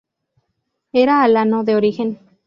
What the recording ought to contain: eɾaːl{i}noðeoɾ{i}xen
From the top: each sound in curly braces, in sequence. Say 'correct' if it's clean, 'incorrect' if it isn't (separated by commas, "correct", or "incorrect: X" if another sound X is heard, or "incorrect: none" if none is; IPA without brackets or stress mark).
incorrect: a, correct